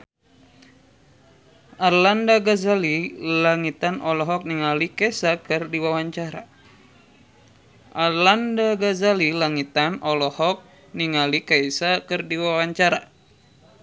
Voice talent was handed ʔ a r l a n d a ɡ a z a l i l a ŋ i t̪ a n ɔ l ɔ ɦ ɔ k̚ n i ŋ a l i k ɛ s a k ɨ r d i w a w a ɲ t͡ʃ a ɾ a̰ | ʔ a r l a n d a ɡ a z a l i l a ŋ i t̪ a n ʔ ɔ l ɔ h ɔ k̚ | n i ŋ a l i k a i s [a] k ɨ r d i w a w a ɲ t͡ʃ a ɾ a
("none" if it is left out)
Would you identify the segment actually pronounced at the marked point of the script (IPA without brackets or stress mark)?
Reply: a